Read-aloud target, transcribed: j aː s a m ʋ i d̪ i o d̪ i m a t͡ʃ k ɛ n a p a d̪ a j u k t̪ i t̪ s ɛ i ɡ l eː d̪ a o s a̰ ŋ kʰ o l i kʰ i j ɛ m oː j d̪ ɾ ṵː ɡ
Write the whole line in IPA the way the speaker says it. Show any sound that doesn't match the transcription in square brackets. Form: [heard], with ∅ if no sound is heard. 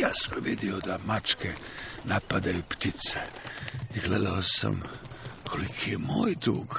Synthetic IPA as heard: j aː s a m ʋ i d̪ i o d̪ [a] m a t͡ʃ k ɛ n a p a d̪ a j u [p] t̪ i t̪ s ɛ i ɡ l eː d̪ a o s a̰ [m] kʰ o l i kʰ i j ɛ m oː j d̪ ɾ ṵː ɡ